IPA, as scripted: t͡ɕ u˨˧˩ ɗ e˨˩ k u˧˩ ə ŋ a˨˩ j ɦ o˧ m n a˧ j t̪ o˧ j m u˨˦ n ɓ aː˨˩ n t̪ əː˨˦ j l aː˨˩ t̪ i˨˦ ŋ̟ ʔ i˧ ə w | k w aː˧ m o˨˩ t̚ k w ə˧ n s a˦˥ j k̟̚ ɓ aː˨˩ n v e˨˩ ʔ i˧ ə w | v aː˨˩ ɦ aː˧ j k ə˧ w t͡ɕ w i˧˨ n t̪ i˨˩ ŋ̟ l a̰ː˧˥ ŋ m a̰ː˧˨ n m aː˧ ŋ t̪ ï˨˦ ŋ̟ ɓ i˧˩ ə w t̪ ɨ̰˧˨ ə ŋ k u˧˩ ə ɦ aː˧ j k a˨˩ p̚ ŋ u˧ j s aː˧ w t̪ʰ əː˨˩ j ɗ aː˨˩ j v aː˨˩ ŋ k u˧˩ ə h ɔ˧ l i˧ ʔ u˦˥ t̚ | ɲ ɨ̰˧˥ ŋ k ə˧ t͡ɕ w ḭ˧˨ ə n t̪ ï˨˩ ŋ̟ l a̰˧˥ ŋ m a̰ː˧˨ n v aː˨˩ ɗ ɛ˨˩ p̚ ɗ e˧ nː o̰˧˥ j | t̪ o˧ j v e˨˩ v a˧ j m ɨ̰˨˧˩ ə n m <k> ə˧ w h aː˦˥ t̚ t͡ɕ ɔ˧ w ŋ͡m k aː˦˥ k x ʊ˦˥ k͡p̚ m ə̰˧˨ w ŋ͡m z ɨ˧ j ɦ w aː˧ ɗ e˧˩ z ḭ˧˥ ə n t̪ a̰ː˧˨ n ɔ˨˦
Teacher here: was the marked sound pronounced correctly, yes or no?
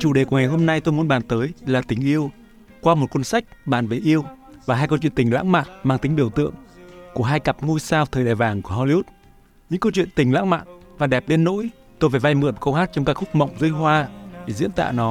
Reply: yes